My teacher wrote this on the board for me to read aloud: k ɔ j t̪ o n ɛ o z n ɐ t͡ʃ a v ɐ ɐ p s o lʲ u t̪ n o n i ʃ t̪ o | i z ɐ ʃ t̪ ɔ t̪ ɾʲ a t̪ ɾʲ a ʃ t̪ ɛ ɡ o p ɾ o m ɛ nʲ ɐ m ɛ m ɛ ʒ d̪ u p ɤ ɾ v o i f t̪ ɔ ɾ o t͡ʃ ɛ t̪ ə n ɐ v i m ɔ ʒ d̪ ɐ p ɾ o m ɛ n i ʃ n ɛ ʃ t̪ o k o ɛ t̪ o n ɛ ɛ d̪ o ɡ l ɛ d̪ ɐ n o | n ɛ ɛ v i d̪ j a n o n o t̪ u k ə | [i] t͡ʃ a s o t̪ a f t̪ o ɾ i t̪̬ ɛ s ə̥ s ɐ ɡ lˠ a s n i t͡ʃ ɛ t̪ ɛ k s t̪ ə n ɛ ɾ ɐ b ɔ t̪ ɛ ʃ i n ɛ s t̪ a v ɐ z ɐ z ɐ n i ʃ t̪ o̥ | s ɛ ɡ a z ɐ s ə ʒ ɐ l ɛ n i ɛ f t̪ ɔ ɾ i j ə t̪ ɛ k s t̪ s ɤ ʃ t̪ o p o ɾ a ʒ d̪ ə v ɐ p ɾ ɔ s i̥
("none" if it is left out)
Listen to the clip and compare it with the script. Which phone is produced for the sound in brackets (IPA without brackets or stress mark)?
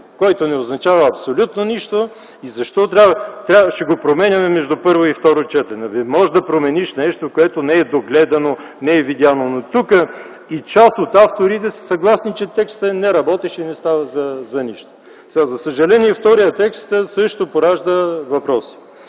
i